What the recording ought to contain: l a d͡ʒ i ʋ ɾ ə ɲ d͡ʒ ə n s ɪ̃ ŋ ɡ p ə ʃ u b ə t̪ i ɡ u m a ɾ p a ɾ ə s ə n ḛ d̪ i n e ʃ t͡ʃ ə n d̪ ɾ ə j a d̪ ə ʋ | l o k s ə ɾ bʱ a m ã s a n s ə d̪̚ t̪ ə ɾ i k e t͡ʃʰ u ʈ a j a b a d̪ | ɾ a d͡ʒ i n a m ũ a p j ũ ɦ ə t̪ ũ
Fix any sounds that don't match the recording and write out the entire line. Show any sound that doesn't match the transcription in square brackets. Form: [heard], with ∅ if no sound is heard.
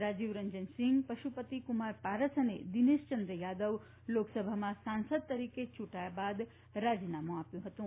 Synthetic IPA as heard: [ɾ] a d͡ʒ i ʋ ɾ ə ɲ d͡ʒ ə n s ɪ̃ ŋ ɡ p ə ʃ u [p] ə t̪ i [k] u m a ɾ p a ɾ ə s ə n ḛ d̪ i n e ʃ t͡ʃ ə n d̪ ɾ ə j a d̪ ə ʋ | l o k s ə [∅] bʱ a m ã s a n s ə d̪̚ t̪ ə ɾ i k e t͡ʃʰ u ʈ a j a b a d̪ | ɾ a d͡ʒ i n a m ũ a p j ũ ɦ ə t̪ ũ